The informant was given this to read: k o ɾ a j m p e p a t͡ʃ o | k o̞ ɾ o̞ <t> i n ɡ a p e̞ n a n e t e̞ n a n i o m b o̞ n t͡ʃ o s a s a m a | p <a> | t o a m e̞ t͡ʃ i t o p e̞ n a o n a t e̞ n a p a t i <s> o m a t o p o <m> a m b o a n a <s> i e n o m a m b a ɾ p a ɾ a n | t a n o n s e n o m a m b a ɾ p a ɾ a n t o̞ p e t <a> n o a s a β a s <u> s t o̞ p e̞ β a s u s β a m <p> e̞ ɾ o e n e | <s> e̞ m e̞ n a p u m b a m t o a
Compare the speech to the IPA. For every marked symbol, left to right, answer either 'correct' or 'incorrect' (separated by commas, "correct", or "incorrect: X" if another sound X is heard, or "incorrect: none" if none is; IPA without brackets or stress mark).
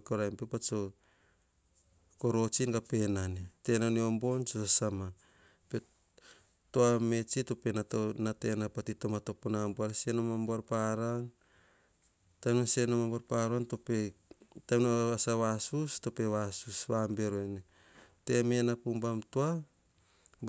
incorrect: t͡ʃ, incorrect: e, incorrect: t, incorrect: n, correct, correct, correct, incorrect: b, incorrect: t